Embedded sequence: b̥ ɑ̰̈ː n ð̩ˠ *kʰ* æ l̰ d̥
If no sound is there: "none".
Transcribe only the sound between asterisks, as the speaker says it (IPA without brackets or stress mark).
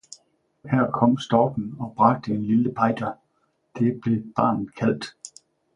kʰ